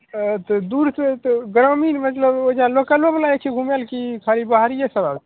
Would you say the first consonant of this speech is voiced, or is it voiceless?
voiceless